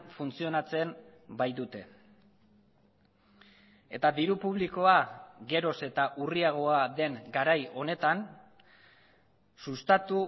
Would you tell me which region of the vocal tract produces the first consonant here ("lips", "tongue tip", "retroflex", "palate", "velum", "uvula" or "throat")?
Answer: lips